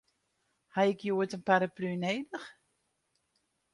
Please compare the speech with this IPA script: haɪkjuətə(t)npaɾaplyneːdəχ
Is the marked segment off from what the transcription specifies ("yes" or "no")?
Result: yes